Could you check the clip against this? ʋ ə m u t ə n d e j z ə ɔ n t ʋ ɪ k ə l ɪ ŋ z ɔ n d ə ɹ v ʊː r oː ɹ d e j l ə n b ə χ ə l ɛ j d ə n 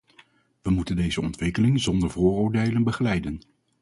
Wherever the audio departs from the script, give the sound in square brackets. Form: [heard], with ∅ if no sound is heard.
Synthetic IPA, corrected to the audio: ʋ ə m u t ə n d e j z ə ɔ n t ʋ ɪ k ə l ɪ ŋ z ɔ n d ə ɹ v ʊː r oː ɹ d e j l ə n b ə χ ə l ɛ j d ə n